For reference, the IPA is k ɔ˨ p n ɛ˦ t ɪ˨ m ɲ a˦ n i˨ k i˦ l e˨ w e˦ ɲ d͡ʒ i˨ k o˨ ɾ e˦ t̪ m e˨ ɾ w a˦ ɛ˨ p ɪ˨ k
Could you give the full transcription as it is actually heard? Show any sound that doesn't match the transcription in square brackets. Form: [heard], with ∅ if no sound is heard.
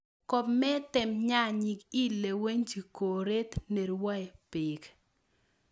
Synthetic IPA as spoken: k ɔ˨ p [m] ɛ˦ t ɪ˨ m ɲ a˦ [ɲ] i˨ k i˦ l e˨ w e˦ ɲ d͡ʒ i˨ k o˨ ɾ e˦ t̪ [n] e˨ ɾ w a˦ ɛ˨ p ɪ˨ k